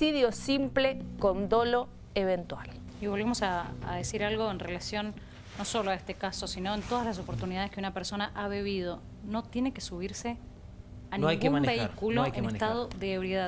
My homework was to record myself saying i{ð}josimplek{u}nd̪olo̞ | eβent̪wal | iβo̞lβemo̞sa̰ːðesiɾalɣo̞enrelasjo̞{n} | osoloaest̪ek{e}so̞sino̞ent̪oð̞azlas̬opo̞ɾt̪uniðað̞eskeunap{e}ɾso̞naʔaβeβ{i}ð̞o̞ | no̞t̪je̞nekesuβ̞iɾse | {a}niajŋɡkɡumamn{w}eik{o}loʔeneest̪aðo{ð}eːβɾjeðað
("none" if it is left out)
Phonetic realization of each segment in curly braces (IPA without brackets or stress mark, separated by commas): ð, o, nː, a, e, i, a, b, u, ð